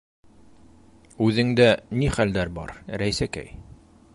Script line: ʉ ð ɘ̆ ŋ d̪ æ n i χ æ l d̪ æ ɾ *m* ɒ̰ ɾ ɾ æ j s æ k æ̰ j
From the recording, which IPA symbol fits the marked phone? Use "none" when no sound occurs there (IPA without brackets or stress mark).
b